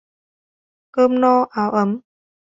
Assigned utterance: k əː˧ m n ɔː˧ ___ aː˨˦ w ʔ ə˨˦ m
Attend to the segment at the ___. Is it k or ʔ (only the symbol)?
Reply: ʔ